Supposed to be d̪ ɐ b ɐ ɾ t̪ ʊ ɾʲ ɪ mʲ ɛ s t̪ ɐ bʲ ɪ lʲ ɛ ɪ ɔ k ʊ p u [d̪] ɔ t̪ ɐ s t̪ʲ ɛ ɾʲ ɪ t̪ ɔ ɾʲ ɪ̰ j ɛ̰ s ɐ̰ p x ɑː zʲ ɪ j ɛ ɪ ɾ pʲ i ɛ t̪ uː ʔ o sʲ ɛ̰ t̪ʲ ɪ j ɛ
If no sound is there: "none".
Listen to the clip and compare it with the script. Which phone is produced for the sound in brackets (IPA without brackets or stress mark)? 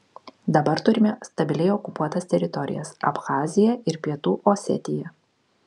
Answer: none